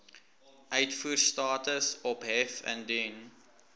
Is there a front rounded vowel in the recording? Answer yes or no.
yes